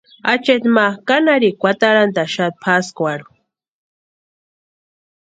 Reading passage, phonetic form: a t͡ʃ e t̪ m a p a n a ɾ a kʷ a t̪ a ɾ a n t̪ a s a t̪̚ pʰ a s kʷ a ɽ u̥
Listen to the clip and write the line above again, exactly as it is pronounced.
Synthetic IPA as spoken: a t͡ʃ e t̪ m a k a n a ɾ i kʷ a t̪ a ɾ a n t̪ a ʃ a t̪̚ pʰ a s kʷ a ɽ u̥